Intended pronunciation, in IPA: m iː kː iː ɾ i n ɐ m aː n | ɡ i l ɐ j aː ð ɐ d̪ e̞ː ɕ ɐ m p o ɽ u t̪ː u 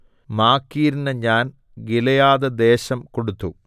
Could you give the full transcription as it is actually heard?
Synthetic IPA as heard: m aː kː iː ɾ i n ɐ ɲ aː n | ɡ i l ɐ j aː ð ɐ d̪ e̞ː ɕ ɐ m k o ɽ u t̪ː u